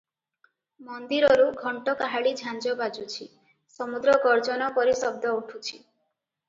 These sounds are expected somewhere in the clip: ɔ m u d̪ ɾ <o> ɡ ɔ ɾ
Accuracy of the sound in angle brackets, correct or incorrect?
incorrect